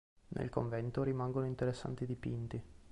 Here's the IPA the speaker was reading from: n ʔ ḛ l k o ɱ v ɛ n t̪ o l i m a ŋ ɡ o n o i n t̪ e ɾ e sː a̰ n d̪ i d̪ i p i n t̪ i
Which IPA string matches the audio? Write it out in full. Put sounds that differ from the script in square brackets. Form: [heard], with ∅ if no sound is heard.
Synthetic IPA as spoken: n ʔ ḛ l k o ɱ v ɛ n t̪ o [ɾ] i m a ŋ ɡ o n o i n t̪ e ɾ e sː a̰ n [t̪] i d̪ i p i n t̪ i